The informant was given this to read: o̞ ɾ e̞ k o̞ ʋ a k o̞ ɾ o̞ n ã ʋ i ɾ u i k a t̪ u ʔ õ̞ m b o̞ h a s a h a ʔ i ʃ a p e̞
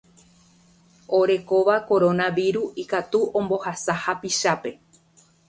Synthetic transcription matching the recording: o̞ ɾ e̞ k o̞ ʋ a k o̞ ɾ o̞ n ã ʋ i ɾ u i k a t̪ u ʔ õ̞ m b o̞ h a s a h a p i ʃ a p e̞